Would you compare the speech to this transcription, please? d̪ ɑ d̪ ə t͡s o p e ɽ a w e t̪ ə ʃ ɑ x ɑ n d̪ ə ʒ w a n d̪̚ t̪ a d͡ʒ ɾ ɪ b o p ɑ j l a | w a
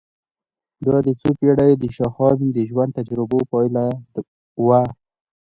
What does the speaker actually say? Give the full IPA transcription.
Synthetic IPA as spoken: d̪ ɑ d̪ ə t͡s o p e ɽ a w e d̪ ə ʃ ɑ x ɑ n d̪ ə ʒ w a n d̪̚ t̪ a d͡ʒ ɾ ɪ b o p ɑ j l a | w a